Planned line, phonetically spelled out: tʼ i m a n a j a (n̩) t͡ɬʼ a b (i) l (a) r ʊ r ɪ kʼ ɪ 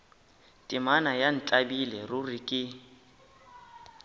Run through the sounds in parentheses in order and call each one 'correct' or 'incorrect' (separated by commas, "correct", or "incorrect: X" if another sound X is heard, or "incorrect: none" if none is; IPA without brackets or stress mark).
correct, correct, incorrect: ɛ